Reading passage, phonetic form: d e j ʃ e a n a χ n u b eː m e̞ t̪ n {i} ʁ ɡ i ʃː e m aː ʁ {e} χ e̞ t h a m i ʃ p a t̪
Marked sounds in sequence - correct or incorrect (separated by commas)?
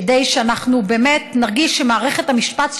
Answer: incorrect, correct